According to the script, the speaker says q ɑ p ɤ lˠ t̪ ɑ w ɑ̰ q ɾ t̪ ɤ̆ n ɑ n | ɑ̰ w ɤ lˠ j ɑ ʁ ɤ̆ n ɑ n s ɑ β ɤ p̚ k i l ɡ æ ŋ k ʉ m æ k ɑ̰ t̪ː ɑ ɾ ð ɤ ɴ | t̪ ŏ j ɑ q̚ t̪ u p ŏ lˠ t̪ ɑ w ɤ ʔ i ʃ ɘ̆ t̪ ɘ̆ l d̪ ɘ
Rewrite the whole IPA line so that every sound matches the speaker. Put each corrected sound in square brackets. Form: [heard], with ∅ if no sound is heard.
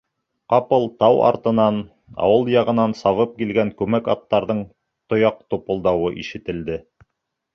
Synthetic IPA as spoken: q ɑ p ɤ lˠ t̪ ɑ w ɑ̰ [∅] ɾ t̪ ɤ̆ n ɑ n | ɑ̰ w ɤ lˠ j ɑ ʁ ɤ̆ n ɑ n s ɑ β ɤ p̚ k i l ɡ æ ŋ k ʉ m æ k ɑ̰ t̪ː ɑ ɾ ð ɤ ɴ | t̪ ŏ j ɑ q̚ t̪ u p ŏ lˠ [d̪] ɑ w ɤ ʔ i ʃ ɘ̆ t̪ ɘ̆ l d̪ ɘ

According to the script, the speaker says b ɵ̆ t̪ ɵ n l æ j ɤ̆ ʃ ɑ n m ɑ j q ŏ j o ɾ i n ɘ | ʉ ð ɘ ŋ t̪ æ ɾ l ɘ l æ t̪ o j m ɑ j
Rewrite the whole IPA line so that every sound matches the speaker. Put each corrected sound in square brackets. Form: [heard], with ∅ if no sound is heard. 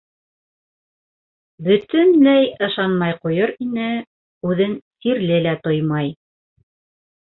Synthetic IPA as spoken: b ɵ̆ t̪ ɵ n l æ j ɤ̆ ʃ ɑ n m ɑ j q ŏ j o ɾ i n ɘ | ʉ ð ɘ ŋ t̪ [i] ɾ l ɘ l æ t̪ o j m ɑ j

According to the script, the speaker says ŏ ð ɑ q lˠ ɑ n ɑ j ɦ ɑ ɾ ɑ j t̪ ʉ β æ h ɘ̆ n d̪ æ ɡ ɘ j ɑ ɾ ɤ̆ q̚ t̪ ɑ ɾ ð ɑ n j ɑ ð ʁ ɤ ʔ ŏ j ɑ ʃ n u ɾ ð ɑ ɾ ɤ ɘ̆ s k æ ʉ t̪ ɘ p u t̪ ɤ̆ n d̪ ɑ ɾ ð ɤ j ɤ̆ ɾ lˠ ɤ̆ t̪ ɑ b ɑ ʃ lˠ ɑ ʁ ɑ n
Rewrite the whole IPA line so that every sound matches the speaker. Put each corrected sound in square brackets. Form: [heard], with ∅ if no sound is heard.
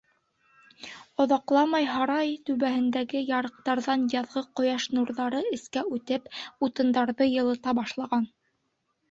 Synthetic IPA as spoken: ŏ ð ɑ q lˠ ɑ [m] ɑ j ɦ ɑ ɾ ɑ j t̪ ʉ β æ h ɘ̆ n d̪ æ ɡ ɘ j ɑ ɾ ɤ̆ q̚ t̪ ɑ ɾ ð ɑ n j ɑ ð ʁ ɤ [q] ŏ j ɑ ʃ n u ɾ ð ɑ ɾ ɤ ɘ̆ s k æ ʉ t̪ ɘ p u t̪ ɤ̆ n d̪ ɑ ɾ ð ɤ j ɤ̆ [∅] lˠ ɤ̆ t̪ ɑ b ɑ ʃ lˠ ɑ ʁ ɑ n

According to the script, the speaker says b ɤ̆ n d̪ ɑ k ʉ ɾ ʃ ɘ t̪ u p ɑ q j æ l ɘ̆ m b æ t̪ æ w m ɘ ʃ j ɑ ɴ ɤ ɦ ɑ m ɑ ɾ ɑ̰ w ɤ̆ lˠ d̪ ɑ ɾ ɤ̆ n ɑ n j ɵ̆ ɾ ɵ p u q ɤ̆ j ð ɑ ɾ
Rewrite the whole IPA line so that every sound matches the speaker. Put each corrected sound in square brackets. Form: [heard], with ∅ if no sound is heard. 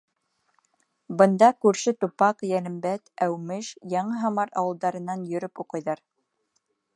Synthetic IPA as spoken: b ɤ̆ n d̪ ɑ k ʉ ɾ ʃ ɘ t̪ u p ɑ q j æ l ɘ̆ m b æ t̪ æ w m ɘ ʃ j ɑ ɴ ɤ ɦ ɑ m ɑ ɾ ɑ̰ w ɤ̆ lˠ d̪ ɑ ɾ ɤ̆ n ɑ n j ɵ̆ ɾ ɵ p u q ɤ̆ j ð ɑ ɾ

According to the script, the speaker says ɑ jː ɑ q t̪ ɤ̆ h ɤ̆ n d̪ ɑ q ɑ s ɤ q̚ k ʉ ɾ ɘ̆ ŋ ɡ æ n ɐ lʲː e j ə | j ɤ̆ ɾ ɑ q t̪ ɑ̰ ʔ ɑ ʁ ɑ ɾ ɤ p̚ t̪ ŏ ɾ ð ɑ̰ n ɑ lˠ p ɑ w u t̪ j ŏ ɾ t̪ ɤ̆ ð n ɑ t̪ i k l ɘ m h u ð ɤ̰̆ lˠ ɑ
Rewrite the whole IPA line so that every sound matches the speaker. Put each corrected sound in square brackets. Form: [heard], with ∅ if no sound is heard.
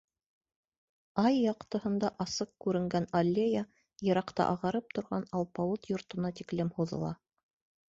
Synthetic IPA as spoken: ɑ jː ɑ q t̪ ɤ̆ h ɤ̆ n d̪ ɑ [ʔ] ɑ s ɤ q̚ k ʉ ɾ ɘ̆ ŋ ɡ æ n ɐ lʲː e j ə | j ɤ̆ ɾ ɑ q t̪ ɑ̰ ʔ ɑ ʁ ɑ ɾ ɤ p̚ t̪ ŏ ɾ [ʁ] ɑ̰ n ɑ lˠ p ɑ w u t̪ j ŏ ɾ t̪ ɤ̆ [∅] n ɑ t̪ i k l ɘ m h u ð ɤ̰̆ lˠ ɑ

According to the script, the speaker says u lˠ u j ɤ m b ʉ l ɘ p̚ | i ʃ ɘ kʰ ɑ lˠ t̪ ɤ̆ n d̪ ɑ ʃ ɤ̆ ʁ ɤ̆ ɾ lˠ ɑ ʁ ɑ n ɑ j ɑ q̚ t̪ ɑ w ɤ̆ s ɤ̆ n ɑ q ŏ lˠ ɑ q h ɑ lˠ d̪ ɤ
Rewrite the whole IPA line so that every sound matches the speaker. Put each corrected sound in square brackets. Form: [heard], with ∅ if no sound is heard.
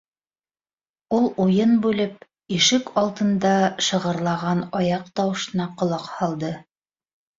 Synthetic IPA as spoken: u lˠ u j ɤ [n] b ʉ l ɘ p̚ | i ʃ ɘ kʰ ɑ lˠ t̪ ɤ̆ n d̪ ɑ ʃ ɤ̆ ʁ ɤ̆ ɾ lˠ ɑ ʁ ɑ n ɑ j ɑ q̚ t̪ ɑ w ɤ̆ [ʃ] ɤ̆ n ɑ q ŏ lˠ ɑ q h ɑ lˠ d̪ ɤ

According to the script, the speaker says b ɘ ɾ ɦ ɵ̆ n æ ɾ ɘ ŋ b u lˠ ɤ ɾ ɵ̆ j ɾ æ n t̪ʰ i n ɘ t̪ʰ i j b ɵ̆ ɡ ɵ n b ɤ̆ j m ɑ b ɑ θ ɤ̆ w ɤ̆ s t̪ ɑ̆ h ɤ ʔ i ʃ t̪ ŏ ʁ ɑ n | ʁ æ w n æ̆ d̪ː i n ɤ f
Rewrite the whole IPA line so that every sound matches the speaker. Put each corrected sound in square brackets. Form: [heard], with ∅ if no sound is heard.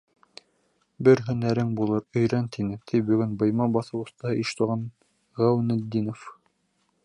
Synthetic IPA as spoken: b ɘ ɾ ɦ ɵ̆ n æ ɾ ɘ ŋ b u lˠ ɤ ɾ ɵ̆ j ɾ æ n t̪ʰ i n ɘ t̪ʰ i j b ɵ̆ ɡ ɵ n b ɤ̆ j m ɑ b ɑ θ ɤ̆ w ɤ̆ s t̪ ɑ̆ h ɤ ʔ i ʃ t̪ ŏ ʁ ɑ n | ʁ æ w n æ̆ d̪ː i n [o] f

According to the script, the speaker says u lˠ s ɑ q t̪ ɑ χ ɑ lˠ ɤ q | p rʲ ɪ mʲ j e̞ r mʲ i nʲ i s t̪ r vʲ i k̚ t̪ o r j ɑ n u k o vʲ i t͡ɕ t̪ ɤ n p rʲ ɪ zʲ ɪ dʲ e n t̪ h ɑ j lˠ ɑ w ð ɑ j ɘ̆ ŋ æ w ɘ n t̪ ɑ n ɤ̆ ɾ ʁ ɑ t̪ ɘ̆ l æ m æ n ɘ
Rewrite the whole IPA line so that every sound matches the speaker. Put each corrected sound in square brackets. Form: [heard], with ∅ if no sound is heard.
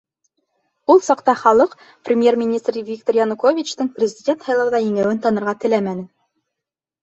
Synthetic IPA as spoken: u lˠ s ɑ q t̪ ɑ χ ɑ lˠ ɤ q | p rʲ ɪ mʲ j e̞ r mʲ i nʲ i s t̪ r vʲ i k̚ t̪ o r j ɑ n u k o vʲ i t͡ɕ t̪ ɤ [ɴ] p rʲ ɪ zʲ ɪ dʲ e n t̪ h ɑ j lˠ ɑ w ð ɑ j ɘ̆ ŋ æ w ɘ n t̪ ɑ n ɤ̆ ɾ ʁ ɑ t̪ ɘ̆ l æ m æ n ɘ

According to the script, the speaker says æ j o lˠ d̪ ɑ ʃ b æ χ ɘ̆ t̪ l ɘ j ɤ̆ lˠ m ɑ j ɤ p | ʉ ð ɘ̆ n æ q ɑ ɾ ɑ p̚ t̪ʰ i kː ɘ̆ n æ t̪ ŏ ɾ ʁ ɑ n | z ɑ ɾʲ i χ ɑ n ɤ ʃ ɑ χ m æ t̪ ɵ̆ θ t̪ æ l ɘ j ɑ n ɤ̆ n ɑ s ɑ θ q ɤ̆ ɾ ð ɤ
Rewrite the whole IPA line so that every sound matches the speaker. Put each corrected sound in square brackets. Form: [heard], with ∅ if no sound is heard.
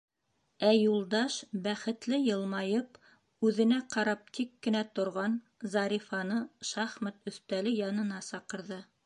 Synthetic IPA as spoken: æ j [u] lˠ d̪ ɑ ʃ b æ χ ɘ̆ t̪ l ɘ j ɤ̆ lˠ m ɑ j ɤ p | ʉ ð ɘ̆ n æ q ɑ ɾ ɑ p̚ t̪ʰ i kː ɘ̆ n æ t̪ ŏ ɾ ʁ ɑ n | z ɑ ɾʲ i [f] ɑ n ɤ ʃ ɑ χ m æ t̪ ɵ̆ θ t̪ æ l ɘ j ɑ n ɤ̆ n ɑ s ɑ [∅] q ɤ̆ ɾ ð ɤ

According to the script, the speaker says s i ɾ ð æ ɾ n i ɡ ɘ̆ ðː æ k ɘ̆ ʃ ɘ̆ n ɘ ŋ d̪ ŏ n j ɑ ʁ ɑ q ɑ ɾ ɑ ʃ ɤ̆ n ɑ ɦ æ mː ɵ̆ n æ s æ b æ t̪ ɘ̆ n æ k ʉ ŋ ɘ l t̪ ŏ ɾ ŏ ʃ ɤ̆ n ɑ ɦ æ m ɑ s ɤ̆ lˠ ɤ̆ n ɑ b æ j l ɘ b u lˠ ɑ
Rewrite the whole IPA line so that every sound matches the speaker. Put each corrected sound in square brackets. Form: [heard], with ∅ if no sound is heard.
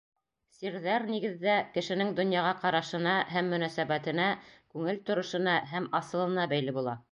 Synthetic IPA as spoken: s i ɾ ð æ ɾ n i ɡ ɘ̆ ðː æ k ɘ̆ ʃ ɘ̆ n ɘ ŋ d̪ ŏ n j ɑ ʁ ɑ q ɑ ɾ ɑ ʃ ɤ̆ n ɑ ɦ æ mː ɵ̆ n æ s æ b æ t̪ ɘ̆ n æ k ʉ ŋ ɘ l t̪ ŏ ɾ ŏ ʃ ɤ̆ n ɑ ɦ æ m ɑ s ɤ̆ lˠ ɤ̆ n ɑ b æ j l ɘ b u lˠ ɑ

